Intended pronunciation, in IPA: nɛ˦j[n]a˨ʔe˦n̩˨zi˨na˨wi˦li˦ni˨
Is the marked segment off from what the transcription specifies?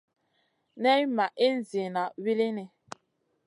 yes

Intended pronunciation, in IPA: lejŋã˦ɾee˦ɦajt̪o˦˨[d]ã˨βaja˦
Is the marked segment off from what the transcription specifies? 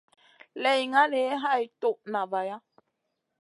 yes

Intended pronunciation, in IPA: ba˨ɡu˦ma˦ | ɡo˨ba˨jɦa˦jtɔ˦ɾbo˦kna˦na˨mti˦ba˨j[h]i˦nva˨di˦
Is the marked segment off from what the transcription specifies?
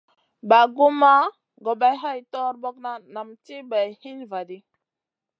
no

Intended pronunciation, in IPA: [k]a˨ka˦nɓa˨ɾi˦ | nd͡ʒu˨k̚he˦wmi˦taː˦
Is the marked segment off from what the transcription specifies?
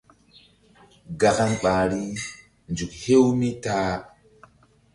yes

